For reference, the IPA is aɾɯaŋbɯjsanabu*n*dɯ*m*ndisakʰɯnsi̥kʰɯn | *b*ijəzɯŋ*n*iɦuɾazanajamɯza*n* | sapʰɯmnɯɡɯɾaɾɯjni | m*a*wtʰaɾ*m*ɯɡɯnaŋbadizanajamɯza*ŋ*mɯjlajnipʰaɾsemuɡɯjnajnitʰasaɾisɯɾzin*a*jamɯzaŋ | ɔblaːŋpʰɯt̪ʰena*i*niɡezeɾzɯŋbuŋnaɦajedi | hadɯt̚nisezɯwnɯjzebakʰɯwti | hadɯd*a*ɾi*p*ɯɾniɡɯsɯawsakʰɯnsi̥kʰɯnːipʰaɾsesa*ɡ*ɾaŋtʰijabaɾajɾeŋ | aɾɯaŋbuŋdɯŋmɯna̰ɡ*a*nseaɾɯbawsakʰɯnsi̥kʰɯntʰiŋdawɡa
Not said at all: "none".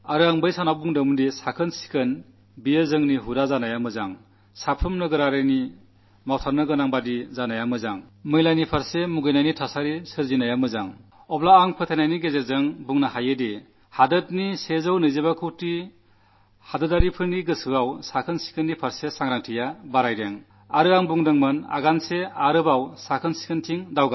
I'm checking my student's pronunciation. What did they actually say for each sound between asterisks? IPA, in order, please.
ŋ, m, b, n, ŋ, a, n, ŋ, a, j, a, pʰ, ŋ, a

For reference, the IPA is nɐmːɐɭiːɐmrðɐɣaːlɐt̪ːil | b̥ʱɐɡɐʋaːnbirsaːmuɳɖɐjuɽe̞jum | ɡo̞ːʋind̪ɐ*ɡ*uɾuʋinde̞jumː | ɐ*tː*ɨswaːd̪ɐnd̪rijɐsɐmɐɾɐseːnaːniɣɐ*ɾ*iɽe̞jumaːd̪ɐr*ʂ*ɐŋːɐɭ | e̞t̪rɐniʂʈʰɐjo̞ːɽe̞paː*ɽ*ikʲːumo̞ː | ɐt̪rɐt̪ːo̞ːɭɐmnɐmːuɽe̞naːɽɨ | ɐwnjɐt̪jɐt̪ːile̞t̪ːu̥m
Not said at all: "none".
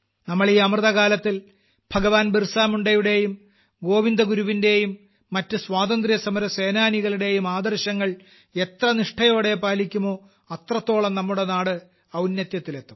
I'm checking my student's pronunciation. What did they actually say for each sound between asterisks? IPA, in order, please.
ɡ, tː, ɭ, ɕ, l

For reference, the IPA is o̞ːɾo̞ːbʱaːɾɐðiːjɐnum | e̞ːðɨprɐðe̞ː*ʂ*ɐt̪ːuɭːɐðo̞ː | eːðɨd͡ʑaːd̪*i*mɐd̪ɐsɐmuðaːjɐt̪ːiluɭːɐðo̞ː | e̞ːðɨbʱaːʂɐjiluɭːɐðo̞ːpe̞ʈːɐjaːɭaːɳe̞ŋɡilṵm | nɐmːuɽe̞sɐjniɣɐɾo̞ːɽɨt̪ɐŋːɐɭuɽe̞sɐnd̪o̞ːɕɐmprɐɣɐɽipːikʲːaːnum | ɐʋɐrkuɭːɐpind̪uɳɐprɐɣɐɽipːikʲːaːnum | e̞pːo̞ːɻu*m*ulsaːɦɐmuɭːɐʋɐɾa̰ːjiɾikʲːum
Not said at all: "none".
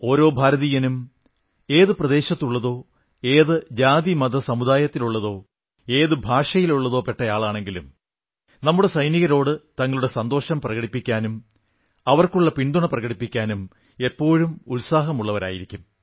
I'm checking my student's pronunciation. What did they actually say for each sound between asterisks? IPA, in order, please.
ɕ, i, m

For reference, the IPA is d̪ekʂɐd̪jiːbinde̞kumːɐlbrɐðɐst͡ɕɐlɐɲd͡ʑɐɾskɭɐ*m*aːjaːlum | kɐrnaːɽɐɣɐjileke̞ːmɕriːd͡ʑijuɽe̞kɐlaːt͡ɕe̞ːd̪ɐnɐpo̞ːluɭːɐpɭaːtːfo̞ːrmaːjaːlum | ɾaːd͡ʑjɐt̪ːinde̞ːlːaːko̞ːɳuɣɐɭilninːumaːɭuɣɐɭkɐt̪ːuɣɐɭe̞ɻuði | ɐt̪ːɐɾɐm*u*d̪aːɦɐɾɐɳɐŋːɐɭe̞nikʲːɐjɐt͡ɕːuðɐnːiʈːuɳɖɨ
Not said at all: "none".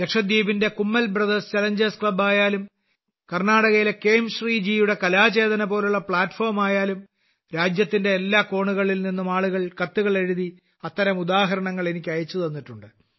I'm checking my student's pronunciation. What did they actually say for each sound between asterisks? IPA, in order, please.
b, u

